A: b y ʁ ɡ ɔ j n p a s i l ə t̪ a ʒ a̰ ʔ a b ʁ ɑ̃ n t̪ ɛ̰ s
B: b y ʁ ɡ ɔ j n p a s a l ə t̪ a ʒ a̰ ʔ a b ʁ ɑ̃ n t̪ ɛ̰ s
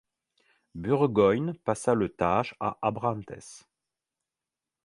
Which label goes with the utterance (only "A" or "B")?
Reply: B